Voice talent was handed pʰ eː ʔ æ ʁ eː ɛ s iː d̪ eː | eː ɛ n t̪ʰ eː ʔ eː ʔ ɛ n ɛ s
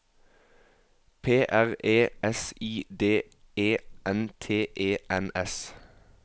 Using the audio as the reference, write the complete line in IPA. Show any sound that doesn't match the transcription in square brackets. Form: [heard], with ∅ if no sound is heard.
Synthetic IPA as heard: pʰ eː ʔ æ ʁ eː ɛ s iː d̪ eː | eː ɛ n t̪ʰ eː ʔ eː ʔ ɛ n ɛ s